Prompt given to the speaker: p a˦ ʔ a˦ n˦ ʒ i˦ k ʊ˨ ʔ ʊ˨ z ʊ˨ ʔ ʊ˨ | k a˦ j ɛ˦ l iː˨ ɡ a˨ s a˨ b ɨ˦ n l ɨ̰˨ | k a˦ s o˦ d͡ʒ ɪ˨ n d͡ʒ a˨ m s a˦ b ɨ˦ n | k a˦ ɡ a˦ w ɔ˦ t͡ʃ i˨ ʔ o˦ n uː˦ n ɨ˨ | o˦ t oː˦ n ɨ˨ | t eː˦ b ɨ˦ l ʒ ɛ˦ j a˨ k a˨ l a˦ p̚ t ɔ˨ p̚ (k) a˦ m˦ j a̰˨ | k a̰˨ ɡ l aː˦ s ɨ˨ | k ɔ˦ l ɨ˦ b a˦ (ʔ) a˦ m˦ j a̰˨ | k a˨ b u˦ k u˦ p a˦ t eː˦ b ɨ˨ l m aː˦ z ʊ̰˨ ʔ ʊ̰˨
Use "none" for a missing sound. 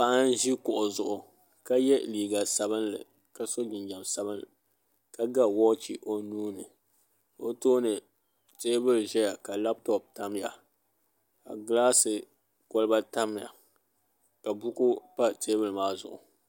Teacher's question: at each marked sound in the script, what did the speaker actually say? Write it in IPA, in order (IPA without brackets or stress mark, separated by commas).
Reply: t, t